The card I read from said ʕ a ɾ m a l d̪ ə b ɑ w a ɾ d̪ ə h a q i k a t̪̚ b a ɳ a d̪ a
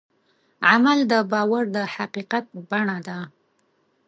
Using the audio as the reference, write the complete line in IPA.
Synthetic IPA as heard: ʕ a m a l d̪ ə b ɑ w a ɾ d̪ ə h a q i q a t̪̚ b a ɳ a d̪ a